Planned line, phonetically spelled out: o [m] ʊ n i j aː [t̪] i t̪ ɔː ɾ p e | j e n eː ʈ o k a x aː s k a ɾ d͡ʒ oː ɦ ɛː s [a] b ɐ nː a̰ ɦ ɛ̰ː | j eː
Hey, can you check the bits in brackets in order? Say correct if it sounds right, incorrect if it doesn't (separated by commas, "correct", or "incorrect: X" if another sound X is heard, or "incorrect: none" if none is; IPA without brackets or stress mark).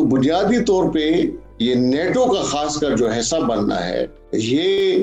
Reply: incorrect: b, incorrect: d̪, correct